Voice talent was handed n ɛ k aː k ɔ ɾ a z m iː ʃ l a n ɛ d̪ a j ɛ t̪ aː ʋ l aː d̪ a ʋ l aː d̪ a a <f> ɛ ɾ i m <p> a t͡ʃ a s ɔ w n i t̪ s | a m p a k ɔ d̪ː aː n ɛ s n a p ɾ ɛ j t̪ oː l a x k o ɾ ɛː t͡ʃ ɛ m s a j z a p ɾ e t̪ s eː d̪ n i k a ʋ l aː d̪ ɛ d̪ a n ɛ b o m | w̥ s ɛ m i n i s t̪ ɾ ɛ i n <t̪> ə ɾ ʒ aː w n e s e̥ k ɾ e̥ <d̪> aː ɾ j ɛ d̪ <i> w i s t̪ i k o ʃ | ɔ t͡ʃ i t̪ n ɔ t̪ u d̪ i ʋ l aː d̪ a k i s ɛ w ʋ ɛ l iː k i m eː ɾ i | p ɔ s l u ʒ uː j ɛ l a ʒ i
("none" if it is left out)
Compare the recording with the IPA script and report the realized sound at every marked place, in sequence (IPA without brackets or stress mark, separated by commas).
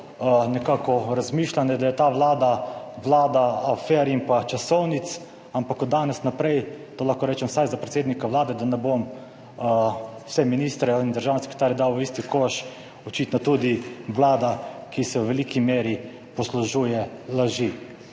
f, p, d̪, t̪, a